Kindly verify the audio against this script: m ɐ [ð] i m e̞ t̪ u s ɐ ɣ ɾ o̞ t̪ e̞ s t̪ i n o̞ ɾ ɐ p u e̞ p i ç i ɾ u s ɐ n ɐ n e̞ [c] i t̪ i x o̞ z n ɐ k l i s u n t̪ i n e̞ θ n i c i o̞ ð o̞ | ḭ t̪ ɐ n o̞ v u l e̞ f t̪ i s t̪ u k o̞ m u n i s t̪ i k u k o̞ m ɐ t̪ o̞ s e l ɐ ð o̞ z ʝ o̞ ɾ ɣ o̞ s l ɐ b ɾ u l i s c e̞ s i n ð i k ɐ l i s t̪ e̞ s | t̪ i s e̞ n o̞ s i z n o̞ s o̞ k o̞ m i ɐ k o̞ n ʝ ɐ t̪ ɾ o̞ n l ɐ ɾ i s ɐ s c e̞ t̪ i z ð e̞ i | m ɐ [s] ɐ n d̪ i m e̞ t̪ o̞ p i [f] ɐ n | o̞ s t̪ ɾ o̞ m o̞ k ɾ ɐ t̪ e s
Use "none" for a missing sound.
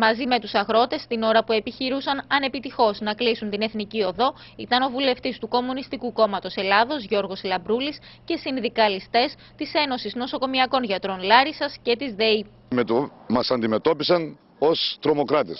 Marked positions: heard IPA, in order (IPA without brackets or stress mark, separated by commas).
z, p, s, s